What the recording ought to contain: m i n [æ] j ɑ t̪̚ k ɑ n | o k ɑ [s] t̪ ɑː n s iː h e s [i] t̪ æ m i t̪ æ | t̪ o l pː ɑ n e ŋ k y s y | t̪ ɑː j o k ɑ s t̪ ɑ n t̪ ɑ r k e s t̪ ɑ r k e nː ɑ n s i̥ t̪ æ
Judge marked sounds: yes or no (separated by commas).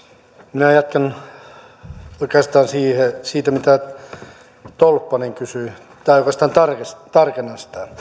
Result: yes, yes, no